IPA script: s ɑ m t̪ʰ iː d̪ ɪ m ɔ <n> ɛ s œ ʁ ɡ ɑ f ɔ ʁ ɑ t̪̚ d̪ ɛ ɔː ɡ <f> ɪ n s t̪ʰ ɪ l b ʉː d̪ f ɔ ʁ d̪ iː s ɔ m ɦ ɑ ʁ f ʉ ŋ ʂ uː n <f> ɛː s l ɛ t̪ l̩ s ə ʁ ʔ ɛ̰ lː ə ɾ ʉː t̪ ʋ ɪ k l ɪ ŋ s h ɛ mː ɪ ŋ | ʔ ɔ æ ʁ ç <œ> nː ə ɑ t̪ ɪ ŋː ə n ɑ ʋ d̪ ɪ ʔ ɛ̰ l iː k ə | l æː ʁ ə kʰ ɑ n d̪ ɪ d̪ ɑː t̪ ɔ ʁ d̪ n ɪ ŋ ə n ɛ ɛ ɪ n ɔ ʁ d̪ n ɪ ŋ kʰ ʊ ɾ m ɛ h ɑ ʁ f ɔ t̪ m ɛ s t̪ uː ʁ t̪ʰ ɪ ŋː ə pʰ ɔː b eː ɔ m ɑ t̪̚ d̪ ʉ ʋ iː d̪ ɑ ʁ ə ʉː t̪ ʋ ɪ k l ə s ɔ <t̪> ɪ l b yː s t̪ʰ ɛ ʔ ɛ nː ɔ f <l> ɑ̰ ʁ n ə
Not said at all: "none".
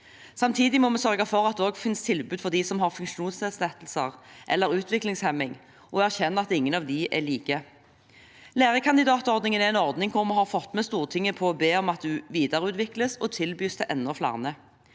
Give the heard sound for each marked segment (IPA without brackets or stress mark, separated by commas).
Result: m, f, s, ɛ, t̪ʰ, l